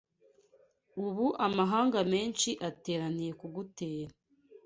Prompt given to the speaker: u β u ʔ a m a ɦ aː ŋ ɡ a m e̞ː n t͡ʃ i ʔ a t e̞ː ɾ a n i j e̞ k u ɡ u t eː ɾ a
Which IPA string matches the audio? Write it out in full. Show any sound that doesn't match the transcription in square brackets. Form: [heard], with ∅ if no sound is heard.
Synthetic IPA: u β u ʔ a m a ɦ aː ŋ ɡ a m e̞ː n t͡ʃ i ʔ a t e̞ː ɾ a n i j e̞ k u ɡ u t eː ɾ a